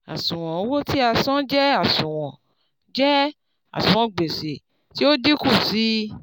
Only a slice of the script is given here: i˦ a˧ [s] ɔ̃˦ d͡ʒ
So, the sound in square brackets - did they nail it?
yes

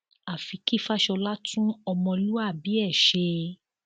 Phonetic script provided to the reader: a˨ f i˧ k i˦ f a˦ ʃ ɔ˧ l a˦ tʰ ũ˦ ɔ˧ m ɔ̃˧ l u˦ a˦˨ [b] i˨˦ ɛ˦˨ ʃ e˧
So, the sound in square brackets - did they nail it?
yes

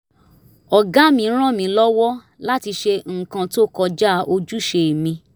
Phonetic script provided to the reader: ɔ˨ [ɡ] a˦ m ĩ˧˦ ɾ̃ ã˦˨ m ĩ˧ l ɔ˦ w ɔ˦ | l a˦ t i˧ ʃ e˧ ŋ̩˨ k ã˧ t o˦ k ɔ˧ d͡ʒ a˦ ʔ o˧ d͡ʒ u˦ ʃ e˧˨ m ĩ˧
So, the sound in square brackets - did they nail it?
yes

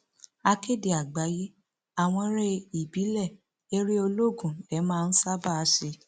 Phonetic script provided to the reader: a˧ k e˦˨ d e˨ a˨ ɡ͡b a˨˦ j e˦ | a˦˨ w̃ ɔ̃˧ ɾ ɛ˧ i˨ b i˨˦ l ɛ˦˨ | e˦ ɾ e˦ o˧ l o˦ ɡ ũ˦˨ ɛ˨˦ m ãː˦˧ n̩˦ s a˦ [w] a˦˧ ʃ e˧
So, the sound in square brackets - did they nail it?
no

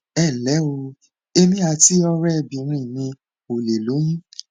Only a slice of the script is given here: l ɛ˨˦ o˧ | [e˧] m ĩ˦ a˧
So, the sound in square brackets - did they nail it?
yes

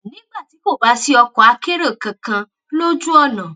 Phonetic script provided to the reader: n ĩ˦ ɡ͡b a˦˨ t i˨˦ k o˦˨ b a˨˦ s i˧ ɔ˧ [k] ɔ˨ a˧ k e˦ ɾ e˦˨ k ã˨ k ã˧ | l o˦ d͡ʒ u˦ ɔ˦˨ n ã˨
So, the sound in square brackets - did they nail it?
yes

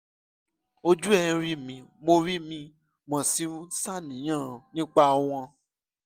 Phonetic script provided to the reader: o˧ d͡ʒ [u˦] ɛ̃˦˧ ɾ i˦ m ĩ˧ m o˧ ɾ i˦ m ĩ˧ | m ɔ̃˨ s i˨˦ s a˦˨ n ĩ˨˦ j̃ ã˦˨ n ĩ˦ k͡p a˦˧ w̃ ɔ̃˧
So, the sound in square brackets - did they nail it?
yes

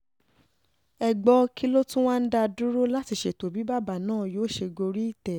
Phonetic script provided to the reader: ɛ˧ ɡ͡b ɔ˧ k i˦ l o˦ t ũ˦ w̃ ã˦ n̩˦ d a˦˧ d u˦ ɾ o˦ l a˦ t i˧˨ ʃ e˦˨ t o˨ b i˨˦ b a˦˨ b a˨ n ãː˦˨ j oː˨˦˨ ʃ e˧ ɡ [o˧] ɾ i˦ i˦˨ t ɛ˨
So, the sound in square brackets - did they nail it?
yes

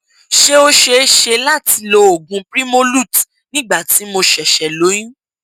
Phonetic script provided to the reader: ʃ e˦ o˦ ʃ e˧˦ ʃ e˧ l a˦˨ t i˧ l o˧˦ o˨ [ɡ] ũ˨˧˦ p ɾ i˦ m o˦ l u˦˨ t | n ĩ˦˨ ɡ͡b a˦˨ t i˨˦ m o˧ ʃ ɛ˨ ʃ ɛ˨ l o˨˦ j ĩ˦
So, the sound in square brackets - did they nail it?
yes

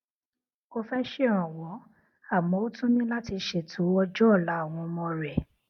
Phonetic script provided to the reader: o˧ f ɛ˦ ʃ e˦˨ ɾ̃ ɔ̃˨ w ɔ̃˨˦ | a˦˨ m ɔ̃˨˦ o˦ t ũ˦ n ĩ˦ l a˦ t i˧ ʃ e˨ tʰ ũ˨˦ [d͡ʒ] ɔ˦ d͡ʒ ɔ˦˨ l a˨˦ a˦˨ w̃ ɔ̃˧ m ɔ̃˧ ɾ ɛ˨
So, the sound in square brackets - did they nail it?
no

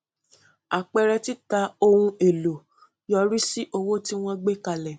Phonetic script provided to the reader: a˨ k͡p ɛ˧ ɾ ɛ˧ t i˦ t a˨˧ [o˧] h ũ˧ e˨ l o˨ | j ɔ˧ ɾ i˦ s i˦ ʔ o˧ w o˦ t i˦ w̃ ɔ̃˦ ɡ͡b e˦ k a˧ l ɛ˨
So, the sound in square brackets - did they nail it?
yes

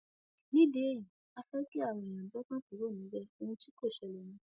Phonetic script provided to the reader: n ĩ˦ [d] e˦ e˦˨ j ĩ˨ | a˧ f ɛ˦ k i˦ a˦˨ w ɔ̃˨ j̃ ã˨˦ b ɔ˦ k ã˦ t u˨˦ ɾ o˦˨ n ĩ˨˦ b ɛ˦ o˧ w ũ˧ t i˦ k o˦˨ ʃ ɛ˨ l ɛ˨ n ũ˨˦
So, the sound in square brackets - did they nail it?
yes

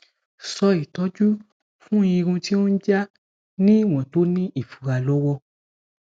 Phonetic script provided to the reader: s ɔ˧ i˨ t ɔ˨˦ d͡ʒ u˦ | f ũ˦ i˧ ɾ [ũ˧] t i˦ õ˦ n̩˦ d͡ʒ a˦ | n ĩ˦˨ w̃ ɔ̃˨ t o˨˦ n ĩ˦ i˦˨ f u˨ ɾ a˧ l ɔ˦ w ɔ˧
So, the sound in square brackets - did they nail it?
yes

